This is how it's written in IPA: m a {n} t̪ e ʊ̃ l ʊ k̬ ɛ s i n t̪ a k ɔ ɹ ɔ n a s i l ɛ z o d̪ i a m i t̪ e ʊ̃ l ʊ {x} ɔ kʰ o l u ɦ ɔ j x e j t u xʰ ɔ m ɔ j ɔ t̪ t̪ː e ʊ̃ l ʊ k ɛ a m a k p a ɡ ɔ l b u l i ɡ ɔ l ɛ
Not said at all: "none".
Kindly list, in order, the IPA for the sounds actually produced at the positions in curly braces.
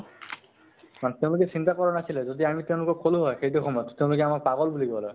n, k

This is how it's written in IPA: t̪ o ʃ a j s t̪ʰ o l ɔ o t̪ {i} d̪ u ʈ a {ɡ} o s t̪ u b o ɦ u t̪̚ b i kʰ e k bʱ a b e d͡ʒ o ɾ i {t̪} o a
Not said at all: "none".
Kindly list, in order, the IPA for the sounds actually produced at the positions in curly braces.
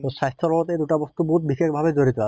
e, b, t̪

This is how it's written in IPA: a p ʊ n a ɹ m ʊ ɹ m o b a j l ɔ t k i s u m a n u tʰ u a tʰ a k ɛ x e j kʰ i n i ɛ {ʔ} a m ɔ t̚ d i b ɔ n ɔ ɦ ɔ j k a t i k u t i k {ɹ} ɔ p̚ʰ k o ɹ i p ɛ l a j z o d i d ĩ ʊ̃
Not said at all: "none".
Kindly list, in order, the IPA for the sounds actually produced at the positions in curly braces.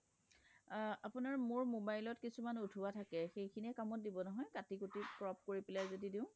k, ɹ

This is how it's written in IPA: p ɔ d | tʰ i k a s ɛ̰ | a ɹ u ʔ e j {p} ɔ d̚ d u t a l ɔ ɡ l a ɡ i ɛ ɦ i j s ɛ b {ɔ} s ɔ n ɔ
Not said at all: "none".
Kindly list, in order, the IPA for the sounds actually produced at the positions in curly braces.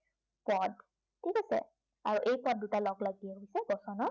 p, ɔ

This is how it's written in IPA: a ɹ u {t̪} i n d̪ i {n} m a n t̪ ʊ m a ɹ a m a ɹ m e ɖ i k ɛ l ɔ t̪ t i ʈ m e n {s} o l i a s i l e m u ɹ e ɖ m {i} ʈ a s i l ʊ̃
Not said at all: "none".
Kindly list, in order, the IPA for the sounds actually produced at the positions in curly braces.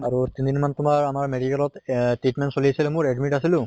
t̪, n, s, i

